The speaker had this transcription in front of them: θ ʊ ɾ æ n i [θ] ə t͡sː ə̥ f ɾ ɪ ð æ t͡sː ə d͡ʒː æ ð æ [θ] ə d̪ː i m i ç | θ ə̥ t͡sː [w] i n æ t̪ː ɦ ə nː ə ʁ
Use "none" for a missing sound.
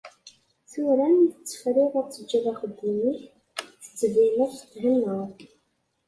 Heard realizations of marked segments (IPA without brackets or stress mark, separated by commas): θ, χ, v